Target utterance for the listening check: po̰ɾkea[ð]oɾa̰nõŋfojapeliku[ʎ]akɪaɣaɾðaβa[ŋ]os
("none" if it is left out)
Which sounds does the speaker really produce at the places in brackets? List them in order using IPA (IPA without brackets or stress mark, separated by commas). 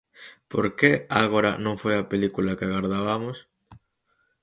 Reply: ɣ, l, m